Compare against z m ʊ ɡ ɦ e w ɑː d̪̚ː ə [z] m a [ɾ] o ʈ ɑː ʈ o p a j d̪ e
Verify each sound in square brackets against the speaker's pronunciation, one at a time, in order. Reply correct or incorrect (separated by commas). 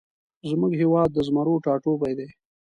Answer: correct, correct